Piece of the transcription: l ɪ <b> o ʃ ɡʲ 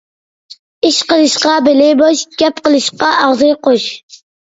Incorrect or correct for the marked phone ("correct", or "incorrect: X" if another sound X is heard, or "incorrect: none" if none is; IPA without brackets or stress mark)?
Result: correct